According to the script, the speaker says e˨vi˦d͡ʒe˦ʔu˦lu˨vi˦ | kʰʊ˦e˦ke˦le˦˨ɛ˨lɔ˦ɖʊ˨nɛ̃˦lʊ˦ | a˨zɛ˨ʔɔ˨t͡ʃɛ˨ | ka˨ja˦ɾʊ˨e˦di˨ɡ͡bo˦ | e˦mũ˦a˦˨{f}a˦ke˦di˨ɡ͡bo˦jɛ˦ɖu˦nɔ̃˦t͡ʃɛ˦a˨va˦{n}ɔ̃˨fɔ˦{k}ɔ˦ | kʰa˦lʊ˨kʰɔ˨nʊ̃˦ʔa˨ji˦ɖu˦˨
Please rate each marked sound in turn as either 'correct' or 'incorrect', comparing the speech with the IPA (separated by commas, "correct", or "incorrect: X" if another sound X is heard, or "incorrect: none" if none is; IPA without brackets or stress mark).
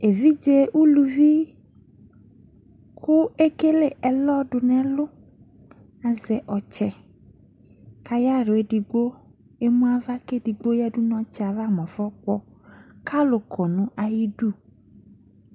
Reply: incorrect: v, incorrect: m, incorrect: k͡p